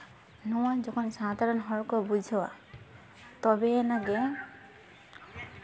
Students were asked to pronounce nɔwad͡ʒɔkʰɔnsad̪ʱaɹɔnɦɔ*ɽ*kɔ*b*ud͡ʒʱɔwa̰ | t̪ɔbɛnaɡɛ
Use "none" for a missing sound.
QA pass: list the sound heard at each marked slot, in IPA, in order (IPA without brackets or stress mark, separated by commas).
ɹ, b